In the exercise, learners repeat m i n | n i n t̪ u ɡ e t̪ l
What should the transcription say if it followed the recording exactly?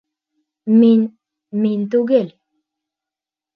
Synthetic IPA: m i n | m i n t̪ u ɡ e l

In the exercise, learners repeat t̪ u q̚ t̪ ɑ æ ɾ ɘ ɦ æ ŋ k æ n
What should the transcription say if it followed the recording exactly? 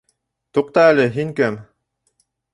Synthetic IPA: t̪ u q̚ t̪ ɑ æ l ɘ ɦ i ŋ k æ m

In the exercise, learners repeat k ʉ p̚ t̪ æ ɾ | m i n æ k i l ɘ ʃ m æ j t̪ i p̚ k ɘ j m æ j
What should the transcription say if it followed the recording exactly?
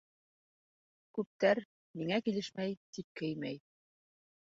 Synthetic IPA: k ʉ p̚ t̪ æ ɾ | m i ŋ æ k i l ɘ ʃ m æ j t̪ i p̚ k ɘ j m æ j

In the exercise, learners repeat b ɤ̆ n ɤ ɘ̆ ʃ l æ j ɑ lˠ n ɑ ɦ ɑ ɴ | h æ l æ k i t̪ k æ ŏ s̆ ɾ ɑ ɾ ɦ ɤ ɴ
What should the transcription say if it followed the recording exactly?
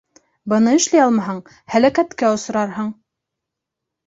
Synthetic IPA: b ɤ̆ n ɤ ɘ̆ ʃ l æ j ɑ lˠ m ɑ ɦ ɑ ɴ | h æ l æ k æ t̪ k æ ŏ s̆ ɾ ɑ ɾ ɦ ɤ ɴ

